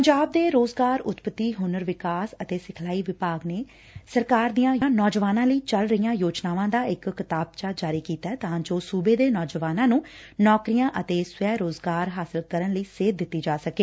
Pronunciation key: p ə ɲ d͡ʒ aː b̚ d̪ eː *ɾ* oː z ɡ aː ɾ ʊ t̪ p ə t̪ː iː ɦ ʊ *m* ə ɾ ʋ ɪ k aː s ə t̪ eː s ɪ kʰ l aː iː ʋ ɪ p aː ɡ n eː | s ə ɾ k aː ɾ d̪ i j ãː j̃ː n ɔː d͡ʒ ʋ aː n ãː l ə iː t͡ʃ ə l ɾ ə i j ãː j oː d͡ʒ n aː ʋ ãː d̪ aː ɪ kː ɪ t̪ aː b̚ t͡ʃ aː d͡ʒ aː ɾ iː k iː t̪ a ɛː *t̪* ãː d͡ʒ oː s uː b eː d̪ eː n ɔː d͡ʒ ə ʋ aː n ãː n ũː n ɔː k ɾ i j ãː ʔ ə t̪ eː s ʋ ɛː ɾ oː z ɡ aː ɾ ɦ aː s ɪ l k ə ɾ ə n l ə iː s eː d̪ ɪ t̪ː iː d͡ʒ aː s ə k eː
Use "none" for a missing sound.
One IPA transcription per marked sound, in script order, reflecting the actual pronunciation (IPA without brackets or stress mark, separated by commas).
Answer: ɾ, n, t̪